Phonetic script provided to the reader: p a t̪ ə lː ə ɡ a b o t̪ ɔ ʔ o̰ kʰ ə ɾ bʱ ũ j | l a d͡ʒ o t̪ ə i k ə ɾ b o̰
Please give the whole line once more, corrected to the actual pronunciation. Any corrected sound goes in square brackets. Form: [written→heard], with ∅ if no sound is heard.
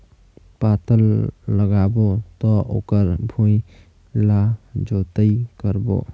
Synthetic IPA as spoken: p a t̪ ə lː ə ɡ a b o t̪ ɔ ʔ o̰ [kʰ→k] ə ɾ bʱ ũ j | l a d͡ʒ o t̪ ə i k ə ɾ b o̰

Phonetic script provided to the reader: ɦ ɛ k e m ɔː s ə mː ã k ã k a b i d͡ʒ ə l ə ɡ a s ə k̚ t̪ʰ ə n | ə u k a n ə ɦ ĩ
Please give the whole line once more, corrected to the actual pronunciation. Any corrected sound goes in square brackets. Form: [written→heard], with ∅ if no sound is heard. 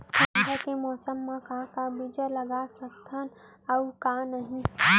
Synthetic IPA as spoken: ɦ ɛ k e m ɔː s ə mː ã k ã k a b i d͡ʒ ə l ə ɡ a s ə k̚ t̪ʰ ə n | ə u k a n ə ɦ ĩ

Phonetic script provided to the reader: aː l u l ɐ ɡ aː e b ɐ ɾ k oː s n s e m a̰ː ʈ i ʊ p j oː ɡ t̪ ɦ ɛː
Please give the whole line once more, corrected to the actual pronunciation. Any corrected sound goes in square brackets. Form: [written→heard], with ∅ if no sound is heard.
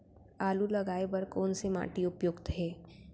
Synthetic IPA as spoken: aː l u l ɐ ɡ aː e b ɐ ɾ k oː [s→∅] n s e m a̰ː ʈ i ʊ p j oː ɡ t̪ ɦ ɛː

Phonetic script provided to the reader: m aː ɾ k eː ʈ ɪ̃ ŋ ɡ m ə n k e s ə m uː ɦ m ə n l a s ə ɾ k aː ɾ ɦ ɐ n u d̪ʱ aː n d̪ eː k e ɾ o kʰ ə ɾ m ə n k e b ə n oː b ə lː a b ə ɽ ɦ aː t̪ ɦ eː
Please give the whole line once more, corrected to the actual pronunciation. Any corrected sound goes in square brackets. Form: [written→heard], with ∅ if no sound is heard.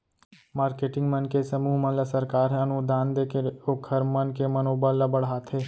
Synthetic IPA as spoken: m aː ɾ k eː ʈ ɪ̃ ŋ ɡ m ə n k e s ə m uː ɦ m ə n l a s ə ɾ k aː ɾ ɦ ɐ n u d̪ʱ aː n d̪ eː k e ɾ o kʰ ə ɾ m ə n k e [b→m] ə n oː b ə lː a b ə ɽ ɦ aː t̪ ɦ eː

